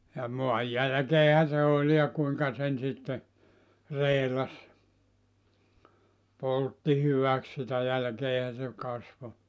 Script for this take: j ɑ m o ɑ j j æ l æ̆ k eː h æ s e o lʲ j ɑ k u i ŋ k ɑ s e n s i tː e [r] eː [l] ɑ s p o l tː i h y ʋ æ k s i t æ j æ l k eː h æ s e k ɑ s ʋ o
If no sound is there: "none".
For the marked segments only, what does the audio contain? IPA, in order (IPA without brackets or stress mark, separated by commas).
r, l